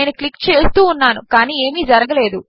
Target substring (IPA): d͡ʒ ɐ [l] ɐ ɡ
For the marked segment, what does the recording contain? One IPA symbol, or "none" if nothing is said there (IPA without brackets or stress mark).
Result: ɾ